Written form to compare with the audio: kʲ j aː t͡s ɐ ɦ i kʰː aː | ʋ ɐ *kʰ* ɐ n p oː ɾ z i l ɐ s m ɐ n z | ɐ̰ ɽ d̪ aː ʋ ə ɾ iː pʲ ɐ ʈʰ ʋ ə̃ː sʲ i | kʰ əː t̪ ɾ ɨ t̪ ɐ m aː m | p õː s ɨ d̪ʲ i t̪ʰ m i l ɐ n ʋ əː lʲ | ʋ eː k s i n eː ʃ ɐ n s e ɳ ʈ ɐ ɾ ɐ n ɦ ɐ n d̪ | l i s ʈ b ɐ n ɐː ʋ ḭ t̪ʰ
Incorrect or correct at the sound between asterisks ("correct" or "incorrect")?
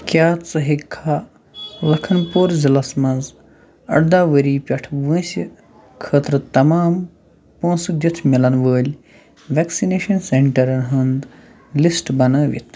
correct